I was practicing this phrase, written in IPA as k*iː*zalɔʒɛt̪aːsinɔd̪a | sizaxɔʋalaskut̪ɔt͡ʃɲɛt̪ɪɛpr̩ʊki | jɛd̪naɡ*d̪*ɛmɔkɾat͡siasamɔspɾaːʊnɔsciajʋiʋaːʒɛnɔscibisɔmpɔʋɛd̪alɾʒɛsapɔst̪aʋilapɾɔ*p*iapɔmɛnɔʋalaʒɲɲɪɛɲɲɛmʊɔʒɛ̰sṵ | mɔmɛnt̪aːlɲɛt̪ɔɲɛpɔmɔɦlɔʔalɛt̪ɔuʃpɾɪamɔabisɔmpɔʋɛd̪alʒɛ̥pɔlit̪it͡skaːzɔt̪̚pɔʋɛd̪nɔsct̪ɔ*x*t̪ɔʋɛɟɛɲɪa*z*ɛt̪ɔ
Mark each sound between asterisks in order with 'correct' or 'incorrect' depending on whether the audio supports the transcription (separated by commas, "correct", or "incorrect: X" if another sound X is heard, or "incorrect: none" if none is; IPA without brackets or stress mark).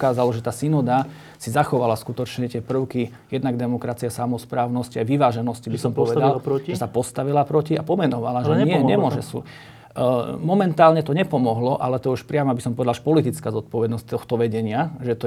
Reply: incorrect: aː, correct, incorrect: c, correct, incorrect: ʒ